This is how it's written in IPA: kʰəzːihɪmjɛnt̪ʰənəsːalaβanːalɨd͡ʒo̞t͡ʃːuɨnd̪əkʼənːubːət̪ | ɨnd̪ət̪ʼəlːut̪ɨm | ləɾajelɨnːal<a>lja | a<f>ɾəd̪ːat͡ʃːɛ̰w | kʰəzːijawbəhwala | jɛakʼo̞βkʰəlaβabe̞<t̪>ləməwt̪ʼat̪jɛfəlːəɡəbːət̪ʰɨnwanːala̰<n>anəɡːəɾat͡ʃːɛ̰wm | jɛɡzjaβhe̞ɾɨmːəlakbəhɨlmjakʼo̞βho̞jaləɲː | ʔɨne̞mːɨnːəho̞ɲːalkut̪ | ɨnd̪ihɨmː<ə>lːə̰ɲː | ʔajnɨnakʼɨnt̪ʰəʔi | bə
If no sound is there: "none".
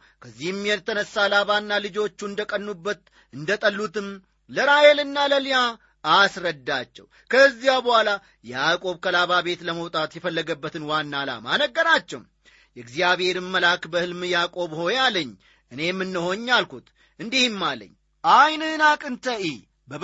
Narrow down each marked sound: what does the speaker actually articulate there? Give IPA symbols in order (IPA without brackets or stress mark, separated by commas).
ə, s, t̪, m, a